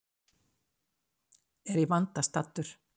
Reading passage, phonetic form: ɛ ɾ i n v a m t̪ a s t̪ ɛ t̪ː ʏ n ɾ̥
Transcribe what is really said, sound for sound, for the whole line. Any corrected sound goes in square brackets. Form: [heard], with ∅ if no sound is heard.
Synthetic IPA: ɛ ɾ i [∅] v a [n] t̪ a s t̪ [a] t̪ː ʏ [∅] ɾ̥